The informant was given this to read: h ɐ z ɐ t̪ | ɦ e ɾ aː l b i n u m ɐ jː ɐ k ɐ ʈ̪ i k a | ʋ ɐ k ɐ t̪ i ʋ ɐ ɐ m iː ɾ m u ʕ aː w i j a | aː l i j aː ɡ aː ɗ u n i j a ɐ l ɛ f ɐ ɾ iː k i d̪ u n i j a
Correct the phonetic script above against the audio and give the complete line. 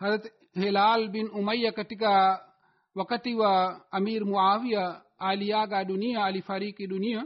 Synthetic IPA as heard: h ɐ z ɐ t̪ | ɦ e l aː l b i n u m ɐ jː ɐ k ɐ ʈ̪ i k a | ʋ ɐ k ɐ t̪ i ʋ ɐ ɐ m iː ɾ m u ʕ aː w i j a | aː l i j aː ɡ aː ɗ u n i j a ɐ l i f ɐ ɾ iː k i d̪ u n i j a